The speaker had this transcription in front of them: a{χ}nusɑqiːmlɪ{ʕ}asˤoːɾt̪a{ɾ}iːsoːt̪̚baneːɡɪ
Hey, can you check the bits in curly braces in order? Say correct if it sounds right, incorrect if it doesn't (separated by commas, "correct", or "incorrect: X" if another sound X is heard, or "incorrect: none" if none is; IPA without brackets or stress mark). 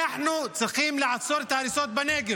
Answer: incorrect: ħ, correct, correct